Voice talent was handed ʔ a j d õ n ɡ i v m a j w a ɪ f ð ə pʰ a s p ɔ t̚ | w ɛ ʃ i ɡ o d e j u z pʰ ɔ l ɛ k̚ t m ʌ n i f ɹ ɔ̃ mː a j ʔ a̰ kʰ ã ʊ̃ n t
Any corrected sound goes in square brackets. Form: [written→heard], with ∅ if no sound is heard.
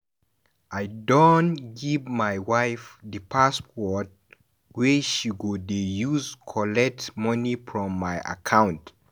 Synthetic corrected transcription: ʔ a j d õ n ɡ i v m a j w a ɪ f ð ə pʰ a s p ɔ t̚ | w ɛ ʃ i ɡ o d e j u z [pʰ→kʰ] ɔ l ɛ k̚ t m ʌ n i f ɹ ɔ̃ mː a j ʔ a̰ kʰ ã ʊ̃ n t